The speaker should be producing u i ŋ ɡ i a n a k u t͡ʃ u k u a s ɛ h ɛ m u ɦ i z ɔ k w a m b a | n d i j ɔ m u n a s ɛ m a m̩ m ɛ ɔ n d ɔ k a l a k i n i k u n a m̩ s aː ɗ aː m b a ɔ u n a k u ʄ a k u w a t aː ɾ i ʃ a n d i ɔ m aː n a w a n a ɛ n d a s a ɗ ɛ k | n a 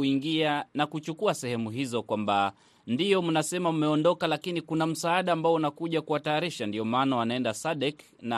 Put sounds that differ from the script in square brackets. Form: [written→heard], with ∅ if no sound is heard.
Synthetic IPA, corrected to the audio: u i ŋ ɡ i a n a k u t͡ʃ u k u a s ɛ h ɛ m u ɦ i z ɔ k w a m b a | n d i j ɔ m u n a s ɛ m a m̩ m ɛ ɔ n d ɔ k a l a k i n i k u n a m̩ s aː ɗ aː m b a ɔ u n a k u ʄ a k u w a t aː ɾ i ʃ a n d i ɔ m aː n a w a n a ɛ n d a s a ɗ ɛ k | n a